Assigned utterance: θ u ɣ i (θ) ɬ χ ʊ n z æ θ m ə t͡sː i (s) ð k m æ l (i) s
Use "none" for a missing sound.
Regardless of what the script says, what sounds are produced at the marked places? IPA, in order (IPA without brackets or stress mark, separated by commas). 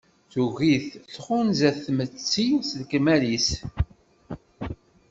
θ, s, i